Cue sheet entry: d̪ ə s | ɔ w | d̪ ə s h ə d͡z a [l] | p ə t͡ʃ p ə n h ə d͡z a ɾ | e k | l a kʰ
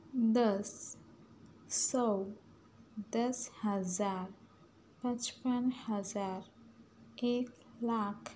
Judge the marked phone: incorrect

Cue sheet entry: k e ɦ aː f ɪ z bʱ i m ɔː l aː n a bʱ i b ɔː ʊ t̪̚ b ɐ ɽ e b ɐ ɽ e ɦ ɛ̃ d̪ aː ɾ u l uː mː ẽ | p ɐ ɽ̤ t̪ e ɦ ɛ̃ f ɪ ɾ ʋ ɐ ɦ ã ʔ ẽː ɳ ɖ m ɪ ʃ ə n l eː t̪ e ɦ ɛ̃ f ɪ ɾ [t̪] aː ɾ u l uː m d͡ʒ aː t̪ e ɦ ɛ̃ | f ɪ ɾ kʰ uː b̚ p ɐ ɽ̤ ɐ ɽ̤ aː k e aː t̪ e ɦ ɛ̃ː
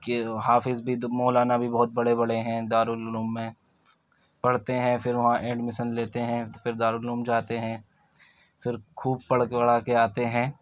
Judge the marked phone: incorrect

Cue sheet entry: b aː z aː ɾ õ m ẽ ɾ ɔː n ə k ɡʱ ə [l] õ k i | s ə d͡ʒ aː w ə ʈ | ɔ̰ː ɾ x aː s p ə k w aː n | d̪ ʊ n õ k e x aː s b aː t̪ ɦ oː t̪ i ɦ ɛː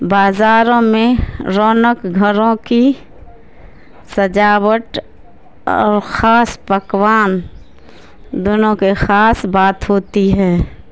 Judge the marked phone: incorrect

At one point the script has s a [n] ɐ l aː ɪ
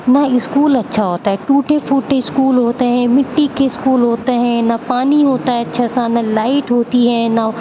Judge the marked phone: correct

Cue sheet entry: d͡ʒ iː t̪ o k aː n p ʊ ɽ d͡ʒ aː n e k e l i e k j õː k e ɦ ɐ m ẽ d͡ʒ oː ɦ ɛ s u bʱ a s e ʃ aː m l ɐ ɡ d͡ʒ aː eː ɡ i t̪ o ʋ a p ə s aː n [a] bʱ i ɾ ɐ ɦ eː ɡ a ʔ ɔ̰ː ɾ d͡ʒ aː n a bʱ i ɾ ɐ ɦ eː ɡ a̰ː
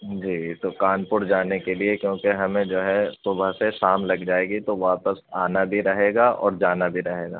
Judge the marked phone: correct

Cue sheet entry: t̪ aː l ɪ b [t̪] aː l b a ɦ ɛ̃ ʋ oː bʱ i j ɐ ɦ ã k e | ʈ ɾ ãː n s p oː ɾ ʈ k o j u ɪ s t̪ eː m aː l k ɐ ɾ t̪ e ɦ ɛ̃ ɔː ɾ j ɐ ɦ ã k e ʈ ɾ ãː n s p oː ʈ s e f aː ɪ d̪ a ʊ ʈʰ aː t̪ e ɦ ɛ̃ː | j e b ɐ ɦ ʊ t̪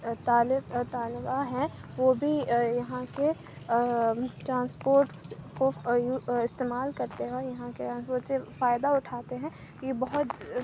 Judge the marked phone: correct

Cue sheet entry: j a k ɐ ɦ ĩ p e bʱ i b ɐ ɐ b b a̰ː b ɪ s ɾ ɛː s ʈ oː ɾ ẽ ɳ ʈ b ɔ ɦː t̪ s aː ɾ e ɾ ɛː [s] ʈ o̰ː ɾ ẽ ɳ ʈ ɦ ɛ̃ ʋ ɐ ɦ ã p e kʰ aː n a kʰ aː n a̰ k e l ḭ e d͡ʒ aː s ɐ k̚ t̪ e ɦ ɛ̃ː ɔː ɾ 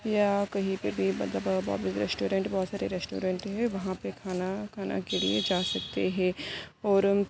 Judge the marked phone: correct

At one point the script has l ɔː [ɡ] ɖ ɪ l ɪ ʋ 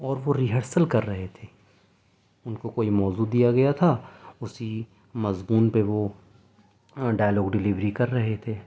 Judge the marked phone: correct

